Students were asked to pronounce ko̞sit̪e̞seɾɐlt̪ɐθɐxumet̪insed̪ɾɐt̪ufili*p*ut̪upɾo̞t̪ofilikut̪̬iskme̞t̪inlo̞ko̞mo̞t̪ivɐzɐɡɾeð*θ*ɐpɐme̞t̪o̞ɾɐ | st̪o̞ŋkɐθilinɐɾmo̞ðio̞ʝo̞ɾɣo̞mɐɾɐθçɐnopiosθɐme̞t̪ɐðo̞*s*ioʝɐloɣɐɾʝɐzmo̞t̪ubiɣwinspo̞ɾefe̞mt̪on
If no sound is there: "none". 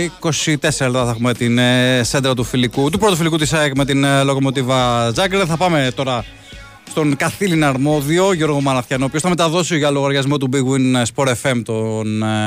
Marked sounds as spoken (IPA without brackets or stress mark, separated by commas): k, θ, s